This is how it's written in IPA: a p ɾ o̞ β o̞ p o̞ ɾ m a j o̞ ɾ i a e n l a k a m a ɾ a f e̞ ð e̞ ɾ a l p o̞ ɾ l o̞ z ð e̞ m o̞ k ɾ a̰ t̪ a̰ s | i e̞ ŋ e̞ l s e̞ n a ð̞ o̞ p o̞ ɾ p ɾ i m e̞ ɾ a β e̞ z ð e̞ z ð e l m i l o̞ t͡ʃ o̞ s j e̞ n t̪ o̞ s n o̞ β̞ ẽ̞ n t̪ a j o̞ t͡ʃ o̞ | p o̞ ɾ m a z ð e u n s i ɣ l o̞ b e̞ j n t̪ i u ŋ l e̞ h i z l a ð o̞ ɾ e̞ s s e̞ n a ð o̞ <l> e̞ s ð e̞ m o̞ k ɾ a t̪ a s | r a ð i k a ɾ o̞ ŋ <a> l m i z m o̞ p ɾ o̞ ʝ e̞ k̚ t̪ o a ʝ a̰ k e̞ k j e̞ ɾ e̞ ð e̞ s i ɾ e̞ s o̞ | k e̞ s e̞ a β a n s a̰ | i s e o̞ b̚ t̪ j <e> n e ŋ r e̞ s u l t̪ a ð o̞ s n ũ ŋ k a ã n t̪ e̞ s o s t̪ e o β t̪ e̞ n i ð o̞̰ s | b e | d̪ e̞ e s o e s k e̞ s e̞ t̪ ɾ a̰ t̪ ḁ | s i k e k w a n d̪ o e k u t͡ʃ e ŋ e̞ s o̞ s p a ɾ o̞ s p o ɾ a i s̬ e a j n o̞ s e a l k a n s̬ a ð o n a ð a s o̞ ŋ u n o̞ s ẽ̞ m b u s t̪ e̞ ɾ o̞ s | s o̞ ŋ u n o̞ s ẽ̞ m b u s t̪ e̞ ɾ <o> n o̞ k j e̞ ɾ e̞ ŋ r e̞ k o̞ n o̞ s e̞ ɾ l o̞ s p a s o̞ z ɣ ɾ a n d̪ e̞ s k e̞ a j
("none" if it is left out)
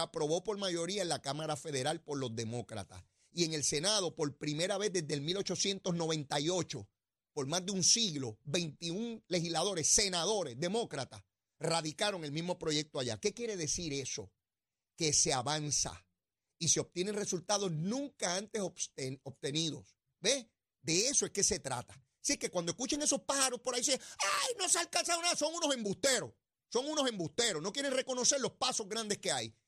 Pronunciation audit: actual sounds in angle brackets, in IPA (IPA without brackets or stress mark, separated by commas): ɾ, e, e, o